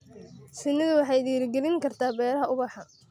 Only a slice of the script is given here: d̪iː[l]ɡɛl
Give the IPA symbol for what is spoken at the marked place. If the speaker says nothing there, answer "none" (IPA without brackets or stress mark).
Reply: ɾ